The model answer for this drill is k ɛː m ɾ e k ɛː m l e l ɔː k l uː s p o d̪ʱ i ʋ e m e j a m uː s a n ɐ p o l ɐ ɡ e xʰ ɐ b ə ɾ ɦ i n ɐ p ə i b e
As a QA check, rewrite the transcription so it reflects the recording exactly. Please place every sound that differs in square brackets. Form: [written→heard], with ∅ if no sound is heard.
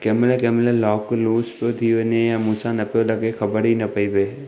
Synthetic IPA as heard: k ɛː m [ɾ→l] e k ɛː m l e l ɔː k l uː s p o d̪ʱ i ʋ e [m→n] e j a m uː s a n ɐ p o l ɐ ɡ e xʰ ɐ b ə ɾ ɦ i n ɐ p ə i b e